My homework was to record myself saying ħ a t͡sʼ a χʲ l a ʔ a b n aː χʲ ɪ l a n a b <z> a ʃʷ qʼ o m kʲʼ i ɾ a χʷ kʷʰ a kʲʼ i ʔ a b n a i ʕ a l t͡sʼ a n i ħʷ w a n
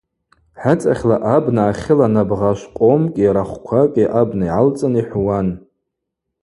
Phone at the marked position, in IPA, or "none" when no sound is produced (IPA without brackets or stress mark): ʁ